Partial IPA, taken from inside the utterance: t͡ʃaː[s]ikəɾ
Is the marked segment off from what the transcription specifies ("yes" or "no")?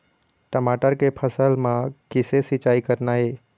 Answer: yes